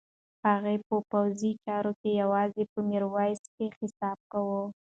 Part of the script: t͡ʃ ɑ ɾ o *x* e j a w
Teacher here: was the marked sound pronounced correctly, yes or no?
no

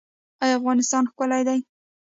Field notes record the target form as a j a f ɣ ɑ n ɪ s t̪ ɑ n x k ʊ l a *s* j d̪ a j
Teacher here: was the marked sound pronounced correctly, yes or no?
no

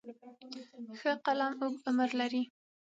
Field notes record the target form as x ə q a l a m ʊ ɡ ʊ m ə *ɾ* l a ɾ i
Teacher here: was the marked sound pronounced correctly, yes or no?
yes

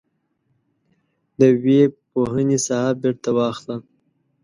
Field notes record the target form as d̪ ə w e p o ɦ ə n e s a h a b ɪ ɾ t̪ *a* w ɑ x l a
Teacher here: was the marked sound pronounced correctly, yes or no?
yes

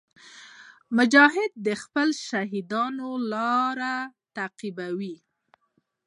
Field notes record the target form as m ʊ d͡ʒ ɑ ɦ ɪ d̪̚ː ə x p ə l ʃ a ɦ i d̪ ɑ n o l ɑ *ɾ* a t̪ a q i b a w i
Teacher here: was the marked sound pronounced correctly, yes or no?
yes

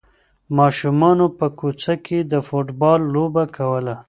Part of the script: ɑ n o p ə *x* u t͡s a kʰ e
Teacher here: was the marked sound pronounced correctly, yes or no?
no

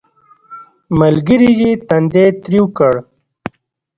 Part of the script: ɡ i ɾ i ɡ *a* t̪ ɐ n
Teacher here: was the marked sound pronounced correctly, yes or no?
no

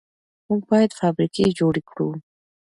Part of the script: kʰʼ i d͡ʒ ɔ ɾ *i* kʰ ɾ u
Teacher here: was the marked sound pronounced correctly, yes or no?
yes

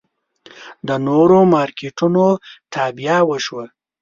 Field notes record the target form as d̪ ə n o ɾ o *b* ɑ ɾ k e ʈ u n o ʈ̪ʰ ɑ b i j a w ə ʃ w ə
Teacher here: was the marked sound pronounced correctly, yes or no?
no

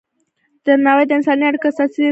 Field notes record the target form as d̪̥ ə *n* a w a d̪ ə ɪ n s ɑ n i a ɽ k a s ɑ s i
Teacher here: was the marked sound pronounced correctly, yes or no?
no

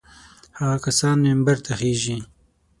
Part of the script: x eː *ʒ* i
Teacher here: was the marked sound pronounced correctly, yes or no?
yes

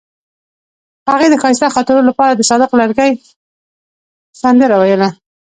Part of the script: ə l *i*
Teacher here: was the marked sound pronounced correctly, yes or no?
no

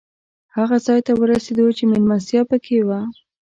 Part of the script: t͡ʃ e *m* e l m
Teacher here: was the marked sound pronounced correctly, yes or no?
yes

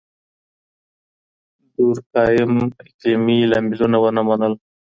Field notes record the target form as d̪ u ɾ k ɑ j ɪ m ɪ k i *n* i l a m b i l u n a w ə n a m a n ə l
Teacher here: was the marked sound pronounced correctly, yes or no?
no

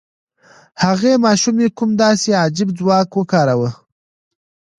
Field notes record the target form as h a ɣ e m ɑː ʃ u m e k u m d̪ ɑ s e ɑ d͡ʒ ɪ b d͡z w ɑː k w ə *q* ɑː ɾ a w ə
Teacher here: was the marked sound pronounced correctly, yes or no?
no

